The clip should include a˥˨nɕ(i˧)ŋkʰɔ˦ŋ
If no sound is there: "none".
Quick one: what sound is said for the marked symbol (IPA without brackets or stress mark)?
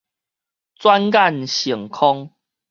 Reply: i˨˩